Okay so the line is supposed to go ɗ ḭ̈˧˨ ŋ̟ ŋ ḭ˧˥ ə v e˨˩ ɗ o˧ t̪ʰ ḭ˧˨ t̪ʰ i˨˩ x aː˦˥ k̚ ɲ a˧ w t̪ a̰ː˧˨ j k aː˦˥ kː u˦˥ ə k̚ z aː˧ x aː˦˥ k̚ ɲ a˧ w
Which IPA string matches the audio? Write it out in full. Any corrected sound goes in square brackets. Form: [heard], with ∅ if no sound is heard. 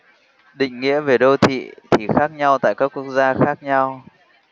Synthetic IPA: ɗ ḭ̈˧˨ ŋ̟ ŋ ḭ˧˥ ə v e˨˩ ɗ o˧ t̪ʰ ḭ˧˨ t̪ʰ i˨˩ x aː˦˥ k̚ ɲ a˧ w t̪ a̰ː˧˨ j k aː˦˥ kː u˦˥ ə k̚ z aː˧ x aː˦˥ k̚ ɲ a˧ w